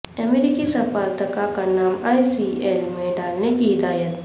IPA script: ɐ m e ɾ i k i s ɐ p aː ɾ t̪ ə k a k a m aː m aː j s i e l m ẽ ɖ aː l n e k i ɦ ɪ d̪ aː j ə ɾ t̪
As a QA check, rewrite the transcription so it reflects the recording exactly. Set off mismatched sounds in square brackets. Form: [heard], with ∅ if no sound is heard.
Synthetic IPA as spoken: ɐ m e ɾ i k i s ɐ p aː ɾ t̪ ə k a k a [n] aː m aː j s i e l m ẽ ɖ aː l n e k i ɦ ɪ d̪ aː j ə [∅] t̪